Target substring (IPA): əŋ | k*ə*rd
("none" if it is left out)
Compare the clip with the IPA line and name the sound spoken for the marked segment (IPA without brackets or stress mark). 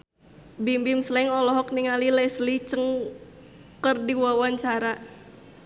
ə